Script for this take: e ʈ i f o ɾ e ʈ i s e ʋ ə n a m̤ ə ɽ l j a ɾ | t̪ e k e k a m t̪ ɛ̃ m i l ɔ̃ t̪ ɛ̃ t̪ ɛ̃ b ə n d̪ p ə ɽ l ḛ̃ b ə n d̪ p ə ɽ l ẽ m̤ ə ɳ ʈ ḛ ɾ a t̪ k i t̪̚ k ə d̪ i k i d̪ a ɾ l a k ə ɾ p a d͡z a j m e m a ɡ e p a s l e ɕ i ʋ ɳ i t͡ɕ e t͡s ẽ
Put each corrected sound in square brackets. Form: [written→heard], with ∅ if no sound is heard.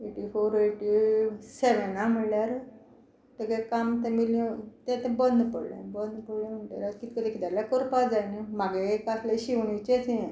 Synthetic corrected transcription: e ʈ i f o ɾ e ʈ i s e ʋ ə n a m̤ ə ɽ l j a ɾ | t̪ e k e k a m t̪ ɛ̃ m i l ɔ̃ t̪ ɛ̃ t̪ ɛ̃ b ə n d̪ p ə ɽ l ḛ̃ b ə n d̪ p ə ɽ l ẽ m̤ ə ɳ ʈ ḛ ɾ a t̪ k i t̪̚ k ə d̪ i k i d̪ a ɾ l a k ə ɾ p a d͡z a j [m→n] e m a ɡ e [p→k] a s l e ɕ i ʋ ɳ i t͡ɕ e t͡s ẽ